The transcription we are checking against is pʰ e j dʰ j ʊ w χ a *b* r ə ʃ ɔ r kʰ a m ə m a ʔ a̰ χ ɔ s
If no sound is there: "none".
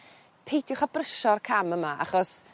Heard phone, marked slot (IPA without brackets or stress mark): b